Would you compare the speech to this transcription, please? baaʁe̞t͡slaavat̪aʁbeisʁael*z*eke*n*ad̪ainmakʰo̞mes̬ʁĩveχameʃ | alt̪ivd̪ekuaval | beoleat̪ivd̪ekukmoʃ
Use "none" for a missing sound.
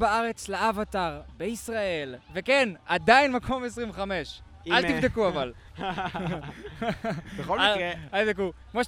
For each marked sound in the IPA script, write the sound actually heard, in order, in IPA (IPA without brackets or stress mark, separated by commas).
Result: v, n